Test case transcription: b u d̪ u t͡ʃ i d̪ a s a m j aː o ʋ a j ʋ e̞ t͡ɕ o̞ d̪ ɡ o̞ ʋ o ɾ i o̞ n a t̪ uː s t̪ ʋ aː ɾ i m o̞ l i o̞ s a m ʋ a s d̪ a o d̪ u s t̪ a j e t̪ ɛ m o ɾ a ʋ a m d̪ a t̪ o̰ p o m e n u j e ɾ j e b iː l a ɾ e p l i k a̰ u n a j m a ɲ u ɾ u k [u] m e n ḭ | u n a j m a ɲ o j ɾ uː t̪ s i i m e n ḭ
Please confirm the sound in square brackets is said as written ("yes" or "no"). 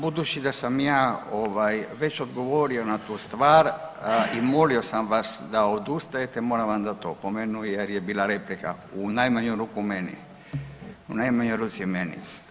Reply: yes